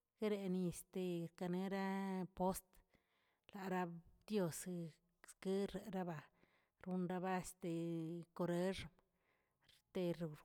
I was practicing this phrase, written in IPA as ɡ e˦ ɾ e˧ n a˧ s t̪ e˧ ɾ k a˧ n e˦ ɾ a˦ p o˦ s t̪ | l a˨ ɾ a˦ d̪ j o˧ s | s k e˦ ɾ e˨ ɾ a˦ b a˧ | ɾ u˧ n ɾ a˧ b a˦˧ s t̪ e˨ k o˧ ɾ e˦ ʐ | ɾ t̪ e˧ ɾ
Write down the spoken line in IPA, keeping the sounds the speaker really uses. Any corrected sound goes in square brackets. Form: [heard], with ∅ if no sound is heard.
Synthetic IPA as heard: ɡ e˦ ɾ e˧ n [i˧] s t̪ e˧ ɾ k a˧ n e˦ ɾ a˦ p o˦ s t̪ | l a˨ ɾ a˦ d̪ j o˧ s | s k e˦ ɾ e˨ ɾ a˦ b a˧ | ɾ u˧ n ɾ a˧ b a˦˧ s t̪ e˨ k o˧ ɾ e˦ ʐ | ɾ t̪ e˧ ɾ